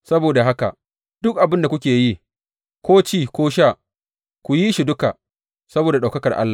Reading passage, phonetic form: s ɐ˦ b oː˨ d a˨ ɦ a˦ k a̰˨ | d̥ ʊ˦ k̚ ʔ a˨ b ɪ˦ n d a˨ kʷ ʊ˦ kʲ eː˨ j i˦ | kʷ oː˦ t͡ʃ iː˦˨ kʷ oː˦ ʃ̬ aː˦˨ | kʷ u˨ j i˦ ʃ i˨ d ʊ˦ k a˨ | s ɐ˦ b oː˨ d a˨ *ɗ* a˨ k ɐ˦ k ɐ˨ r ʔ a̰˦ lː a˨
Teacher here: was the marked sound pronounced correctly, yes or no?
yes